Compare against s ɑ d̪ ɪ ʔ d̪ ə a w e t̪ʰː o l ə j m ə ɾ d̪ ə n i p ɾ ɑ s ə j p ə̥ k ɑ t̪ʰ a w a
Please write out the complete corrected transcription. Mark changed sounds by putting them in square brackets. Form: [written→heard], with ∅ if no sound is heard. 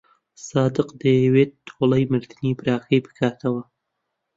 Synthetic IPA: s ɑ d̪ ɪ [ʔ→q] d̪ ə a w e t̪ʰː o l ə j m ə ɾ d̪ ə n i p ɾ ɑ [s→x] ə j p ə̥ k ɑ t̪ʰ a w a

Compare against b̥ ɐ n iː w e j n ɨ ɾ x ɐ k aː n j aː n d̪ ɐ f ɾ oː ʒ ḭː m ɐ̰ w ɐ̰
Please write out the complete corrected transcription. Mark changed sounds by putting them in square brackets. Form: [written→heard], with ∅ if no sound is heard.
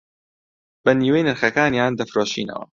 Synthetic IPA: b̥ ɐ n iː w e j n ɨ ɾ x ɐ k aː n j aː n d̪ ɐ f ɾ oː [ʒ→ʃ] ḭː [m→n] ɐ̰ w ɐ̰

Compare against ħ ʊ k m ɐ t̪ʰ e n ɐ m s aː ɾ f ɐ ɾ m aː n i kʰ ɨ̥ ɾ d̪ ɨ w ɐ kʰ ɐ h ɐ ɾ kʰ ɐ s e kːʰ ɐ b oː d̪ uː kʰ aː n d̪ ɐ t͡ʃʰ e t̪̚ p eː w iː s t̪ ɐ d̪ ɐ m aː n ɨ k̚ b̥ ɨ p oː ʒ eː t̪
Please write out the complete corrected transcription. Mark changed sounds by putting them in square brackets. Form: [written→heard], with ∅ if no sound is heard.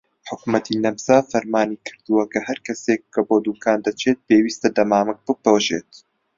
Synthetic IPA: ħ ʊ k m ɐ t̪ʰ [e→i] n ɐ m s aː [ɾ→∅] f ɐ ɾ m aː n i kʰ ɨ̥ ɾ d̪ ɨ w ɐ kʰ ɐ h ɐ ɾ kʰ ɐ s e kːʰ ɐ b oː d̪ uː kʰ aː n d̪ ɐ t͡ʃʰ e t̪̚ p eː w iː s t̪ ɐ d̪ ɐ m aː [n→m] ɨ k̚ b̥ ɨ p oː ʒ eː t̪

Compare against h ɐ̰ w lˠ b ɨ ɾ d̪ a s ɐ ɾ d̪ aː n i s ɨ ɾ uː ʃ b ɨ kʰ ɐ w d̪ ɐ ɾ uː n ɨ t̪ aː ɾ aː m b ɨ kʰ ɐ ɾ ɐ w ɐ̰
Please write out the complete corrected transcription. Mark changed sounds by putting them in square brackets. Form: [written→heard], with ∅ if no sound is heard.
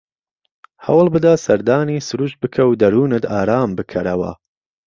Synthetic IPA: h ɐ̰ w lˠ b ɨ [ɾ→∅] d̪ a s ɐ ɾ d̪ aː n i s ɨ ɾ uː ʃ b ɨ kʰ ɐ w d̪ ɐ ɾ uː n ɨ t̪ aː ɾ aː m b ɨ kʰ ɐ ɾ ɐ w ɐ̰

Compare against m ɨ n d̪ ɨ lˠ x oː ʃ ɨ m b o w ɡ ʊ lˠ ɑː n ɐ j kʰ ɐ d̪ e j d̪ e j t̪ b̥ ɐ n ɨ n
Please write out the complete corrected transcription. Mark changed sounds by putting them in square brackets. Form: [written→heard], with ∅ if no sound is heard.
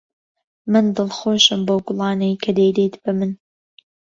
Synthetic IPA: m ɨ n d̪ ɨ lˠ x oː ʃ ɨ m b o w ɡ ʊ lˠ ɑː n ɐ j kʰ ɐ d̪ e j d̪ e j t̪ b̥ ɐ [n→m] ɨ n

